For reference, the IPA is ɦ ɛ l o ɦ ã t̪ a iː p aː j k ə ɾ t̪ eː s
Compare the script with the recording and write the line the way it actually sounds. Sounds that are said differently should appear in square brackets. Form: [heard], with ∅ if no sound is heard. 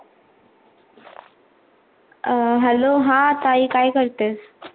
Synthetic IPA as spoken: ɦ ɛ l o ɦ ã t̪ a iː [k] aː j k ə ɾ t̪ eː s